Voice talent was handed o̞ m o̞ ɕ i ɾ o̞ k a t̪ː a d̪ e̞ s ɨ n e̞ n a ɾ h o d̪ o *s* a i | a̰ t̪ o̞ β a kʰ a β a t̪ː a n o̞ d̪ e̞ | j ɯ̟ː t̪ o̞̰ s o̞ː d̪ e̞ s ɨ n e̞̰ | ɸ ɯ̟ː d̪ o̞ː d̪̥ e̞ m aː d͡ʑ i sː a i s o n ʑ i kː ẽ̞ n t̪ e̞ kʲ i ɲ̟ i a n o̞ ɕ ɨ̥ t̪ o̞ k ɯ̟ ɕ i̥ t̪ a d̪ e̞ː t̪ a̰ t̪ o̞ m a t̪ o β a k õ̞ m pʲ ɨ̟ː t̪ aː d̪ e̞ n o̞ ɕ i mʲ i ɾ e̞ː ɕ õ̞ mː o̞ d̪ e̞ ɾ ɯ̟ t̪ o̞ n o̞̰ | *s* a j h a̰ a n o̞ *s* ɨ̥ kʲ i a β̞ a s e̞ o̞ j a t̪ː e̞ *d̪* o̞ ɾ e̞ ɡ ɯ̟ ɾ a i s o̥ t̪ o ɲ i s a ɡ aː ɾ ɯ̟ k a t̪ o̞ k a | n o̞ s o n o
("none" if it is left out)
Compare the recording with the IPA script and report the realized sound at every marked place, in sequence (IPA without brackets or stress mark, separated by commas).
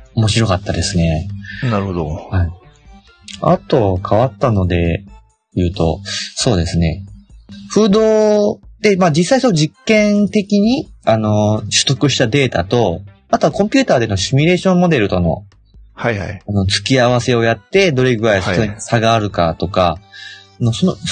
h, h, t͡s, d̪